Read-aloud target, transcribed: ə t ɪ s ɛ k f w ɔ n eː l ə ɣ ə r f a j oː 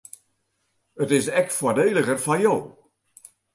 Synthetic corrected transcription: ə t ɪ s ɛ k f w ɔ d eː l ə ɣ ə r f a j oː